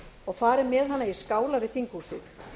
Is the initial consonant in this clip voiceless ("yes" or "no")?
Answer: no